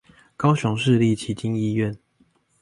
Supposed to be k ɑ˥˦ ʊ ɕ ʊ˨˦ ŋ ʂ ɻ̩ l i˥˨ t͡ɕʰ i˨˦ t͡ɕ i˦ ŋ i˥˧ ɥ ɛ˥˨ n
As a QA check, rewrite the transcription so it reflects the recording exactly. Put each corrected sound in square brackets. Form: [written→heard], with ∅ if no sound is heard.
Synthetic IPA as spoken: k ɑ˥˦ ʊ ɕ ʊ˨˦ ŋ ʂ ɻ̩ l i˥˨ t͡ɕʰ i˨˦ t͡ɕ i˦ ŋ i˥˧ ɥ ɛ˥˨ n